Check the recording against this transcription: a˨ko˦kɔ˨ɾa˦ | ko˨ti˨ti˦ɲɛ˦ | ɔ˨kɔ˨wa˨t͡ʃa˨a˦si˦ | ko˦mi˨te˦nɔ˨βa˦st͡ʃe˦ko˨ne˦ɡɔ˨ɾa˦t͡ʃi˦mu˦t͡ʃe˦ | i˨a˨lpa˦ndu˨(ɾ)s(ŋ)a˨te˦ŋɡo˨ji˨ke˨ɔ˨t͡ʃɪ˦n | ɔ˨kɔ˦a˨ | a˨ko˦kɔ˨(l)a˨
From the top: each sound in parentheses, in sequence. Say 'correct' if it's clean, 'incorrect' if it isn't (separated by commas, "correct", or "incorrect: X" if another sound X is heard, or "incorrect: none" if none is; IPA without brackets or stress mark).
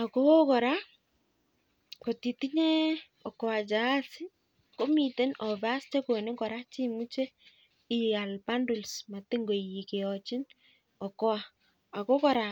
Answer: incorrect: l, incorrect: m, incorrect: ɾ